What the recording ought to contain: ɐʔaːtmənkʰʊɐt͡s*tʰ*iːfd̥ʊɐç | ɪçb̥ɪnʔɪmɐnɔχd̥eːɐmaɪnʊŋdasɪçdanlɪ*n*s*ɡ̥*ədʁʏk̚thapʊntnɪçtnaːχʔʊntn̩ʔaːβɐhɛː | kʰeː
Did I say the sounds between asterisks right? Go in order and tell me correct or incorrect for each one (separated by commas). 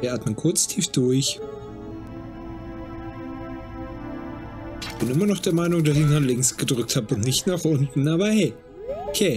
correct, incorrect, correct